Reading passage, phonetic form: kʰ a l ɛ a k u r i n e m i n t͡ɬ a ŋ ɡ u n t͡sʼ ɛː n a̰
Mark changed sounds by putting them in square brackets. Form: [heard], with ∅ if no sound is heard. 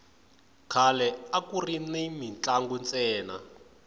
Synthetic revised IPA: kʰ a l ɛ a k u r i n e m i n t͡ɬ a ŋ ɡ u n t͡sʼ ɛː n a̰